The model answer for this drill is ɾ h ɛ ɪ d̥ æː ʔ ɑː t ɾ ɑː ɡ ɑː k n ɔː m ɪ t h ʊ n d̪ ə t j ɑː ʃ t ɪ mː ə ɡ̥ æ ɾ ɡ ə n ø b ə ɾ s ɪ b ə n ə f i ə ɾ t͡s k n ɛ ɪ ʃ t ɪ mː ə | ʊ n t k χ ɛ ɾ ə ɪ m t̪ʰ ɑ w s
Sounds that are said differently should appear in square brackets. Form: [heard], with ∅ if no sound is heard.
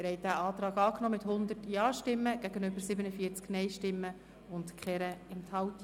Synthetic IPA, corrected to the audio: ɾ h ɛ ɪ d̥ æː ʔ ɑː t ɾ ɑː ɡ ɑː k n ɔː m ɪ t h ʊ n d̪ ə t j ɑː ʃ t ɪ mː ə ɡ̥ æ [∅] ɡ ə n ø b ə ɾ s ɪ b ə n ə f i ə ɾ t͡s k n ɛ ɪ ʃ t ɪ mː ə | ʊ n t k χ ɛ ɾ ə ɪ m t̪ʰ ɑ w [t]